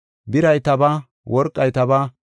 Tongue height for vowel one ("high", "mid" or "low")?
high